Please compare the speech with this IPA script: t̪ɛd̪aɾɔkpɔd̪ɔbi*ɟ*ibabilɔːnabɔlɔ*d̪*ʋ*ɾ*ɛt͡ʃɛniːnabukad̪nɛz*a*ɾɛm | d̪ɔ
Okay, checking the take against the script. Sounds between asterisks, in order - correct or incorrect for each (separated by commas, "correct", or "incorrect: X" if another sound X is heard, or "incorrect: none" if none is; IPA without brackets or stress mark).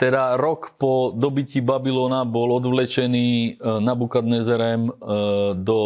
incorrect: c, correct, incorrect: l, incorrect: ɛ